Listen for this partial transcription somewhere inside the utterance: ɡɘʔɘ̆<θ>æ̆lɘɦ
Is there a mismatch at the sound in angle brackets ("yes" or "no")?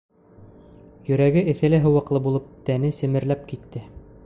no